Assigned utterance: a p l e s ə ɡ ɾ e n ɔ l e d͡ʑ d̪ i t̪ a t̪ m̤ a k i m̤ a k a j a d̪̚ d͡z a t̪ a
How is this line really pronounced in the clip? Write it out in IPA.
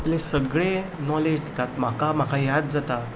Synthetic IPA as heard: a p l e s ə ɡ ɭ e n ɔ l e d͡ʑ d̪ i t̪ a t̪ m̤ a k a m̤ a k a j a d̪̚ d͡z a t̪ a